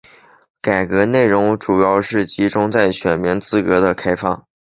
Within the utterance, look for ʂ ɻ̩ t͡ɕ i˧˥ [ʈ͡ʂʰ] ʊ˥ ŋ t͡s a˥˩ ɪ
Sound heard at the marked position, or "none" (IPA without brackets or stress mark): ʈ͡ʂ